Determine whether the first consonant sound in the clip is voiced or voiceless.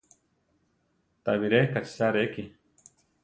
voiceless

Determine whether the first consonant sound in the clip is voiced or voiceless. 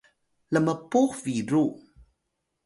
voiced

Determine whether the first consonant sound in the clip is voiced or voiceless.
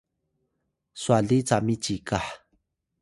voiceless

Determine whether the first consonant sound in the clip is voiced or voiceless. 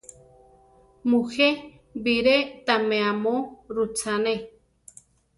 voiced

